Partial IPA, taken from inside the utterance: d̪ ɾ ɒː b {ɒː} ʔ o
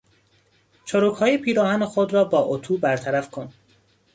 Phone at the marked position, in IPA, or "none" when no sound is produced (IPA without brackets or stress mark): ɒː